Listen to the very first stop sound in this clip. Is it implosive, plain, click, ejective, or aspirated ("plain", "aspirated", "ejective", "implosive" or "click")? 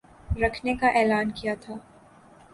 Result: aspirated